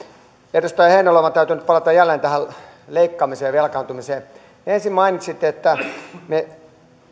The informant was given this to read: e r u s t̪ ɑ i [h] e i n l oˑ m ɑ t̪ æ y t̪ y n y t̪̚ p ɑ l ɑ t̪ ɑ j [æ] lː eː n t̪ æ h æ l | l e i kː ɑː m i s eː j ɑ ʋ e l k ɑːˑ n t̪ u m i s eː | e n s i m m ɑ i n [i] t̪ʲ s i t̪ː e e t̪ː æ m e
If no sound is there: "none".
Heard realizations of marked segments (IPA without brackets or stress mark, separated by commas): h, æ, i